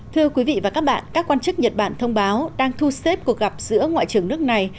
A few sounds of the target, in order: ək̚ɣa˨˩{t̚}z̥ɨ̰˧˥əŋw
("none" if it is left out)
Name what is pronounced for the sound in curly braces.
p̚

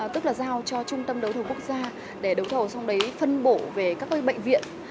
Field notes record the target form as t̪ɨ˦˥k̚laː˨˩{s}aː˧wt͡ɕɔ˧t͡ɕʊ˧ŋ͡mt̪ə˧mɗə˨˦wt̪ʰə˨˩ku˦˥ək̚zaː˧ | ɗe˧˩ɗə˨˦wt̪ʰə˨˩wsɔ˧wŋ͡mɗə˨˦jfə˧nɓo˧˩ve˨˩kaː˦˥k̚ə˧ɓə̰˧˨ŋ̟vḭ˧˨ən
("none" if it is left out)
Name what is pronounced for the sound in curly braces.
z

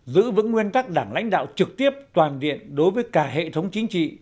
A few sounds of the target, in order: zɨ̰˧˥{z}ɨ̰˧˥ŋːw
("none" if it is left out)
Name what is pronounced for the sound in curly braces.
v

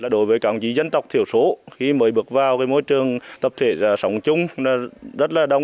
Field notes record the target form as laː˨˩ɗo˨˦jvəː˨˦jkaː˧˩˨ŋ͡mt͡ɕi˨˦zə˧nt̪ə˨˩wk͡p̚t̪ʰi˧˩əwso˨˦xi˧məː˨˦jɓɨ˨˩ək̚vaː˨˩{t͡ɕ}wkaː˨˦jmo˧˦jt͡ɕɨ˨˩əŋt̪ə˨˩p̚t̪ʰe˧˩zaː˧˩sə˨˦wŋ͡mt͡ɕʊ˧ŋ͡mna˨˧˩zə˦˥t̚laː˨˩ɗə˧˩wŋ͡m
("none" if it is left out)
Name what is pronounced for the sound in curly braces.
none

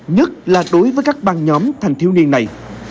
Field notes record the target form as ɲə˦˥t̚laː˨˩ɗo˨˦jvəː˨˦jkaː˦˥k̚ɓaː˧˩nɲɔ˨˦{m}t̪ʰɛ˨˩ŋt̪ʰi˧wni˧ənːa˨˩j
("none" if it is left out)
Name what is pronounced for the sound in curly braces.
m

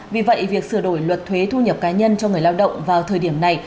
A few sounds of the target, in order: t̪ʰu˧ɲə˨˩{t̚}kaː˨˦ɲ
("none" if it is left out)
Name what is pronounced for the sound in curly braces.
p̚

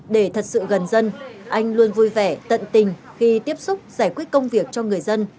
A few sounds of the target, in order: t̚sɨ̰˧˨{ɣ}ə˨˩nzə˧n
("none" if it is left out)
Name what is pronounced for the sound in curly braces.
ɣ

